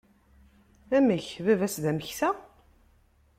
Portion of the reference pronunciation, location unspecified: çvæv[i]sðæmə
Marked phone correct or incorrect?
incorrect